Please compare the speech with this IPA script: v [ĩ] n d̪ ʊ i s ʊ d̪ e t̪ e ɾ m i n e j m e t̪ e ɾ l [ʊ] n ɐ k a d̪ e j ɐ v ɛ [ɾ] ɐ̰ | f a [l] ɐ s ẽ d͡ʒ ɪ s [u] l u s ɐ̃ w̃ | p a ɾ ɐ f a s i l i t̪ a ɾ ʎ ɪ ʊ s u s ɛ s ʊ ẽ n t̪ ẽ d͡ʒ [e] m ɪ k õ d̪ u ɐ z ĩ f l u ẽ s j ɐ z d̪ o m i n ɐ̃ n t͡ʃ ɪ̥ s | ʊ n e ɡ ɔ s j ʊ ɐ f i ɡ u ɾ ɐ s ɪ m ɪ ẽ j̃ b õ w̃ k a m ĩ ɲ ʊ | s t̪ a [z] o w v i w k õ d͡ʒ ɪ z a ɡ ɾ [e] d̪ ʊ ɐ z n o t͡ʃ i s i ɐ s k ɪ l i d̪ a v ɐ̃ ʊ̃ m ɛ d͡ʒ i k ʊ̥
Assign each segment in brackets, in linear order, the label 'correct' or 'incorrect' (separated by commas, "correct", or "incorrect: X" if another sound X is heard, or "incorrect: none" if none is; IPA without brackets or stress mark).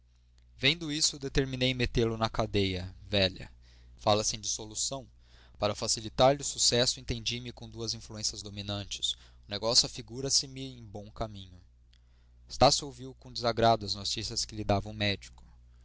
incorrect: ẽ, correct, incorrect: ʎ, correct, incorrect: o, incorrect: i, incorrect: s, incorrect: a